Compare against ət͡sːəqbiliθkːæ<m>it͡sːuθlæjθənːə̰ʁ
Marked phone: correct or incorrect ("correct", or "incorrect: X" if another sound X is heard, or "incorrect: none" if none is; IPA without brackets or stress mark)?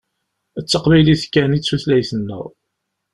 incorrect: n